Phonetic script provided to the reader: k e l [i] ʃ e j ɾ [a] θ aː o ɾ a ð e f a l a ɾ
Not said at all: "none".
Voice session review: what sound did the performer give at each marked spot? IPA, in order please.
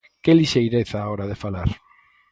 i, e

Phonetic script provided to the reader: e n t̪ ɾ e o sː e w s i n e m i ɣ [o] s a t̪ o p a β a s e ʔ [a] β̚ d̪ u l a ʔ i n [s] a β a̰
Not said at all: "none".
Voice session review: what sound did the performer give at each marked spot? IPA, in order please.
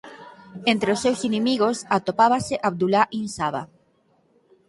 o, a, s

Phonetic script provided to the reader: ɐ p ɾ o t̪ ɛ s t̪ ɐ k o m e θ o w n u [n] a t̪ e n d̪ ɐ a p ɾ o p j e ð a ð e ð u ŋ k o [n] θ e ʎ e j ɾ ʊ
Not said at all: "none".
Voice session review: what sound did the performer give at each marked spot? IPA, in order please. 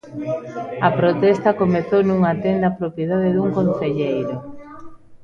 ŋ, n

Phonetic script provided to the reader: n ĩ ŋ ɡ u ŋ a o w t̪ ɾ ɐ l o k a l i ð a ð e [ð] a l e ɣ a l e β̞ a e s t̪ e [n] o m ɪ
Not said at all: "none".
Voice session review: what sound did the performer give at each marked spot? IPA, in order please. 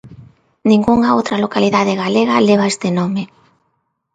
ɣ, n

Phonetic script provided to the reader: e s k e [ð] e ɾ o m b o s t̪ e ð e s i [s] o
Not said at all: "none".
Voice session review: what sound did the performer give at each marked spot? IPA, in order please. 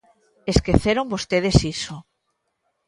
θ, s

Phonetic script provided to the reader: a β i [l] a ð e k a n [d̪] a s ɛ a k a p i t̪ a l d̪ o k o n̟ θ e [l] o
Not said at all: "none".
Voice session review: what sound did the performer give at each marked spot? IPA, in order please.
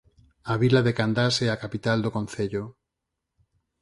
l, d̪, ʎ

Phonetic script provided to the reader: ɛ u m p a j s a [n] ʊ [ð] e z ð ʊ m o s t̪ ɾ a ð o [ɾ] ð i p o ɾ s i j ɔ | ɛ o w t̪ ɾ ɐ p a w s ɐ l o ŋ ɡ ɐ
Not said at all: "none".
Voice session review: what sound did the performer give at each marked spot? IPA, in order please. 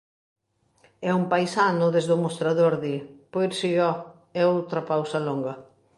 n, ð, ɾ

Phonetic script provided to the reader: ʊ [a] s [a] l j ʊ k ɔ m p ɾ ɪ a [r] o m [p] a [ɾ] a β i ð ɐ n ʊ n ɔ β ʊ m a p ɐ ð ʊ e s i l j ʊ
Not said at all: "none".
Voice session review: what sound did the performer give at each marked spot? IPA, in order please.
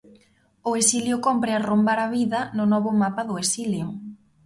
e, i, r, b, ɾ

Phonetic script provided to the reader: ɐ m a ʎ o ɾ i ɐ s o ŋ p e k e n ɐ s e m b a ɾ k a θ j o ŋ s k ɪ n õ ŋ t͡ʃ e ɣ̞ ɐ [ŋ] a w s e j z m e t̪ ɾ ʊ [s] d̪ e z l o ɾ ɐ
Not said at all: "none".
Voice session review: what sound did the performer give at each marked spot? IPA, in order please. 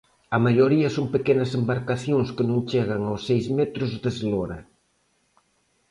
ŋ, z

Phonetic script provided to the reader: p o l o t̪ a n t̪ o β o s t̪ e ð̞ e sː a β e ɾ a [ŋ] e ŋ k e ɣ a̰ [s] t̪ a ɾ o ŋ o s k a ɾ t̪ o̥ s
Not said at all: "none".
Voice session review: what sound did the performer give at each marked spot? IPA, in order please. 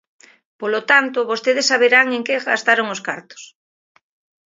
ŋ, s

